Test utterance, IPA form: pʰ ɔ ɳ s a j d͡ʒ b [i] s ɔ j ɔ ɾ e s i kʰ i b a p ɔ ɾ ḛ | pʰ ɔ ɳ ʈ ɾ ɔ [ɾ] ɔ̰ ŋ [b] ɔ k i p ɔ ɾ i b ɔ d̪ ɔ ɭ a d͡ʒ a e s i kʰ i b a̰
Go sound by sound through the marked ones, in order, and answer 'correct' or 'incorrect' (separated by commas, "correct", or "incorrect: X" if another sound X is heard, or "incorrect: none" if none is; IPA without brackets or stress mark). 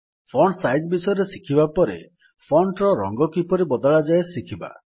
correct, correct, incorrect: ɡ